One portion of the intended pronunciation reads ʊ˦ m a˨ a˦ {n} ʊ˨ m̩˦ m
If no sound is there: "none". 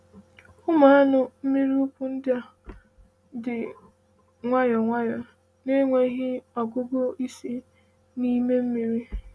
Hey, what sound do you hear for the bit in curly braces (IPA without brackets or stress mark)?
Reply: n